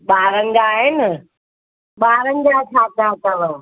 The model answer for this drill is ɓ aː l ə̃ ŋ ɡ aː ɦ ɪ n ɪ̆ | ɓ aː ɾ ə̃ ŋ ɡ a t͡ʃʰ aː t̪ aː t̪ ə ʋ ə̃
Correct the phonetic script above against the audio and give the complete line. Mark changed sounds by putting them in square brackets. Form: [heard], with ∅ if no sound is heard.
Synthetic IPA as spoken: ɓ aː [ɾ] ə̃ ŋ ɡ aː ɦ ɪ n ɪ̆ | ɓ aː ɾ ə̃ ŋ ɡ a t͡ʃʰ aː t̪ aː t̪ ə ʋ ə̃